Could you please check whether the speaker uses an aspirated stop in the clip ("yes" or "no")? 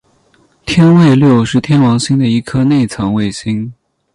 yes